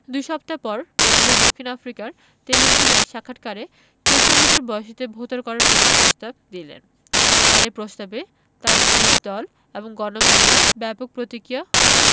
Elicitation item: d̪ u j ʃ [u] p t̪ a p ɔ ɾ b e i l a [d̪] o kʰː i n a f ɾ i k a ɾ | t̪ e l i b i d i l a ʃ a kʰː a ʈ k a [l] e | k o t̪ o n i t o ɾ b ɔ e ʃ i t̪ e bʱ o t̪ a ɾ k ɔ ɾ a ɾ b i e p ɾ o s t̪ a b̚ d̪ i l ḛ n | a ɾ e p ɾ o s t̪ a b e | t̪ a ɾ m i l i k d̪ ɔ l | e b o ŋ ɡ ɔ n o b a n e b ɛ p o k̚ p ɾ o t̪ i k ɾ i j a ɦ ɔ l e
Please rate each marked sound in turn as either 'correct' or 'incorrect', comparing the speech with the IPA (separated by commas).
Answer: incorrect, correct, incorrect